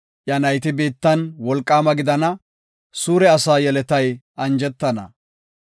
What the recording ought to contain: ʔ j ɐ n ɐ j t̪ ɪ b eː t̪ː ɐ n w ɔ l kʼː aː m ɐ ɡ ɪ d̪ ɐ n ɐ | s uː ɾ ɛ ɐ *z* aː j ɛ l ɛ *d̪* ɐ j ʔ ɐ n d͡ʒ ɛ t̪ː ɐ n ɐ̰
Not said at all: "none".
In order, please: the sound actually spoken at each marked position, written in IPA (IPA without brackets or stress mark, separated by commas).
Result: s, t̪